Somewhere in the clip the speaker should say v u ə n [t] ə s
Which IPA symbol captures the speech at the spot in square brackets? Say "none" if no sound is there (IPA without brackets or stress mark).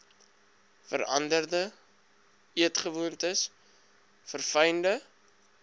t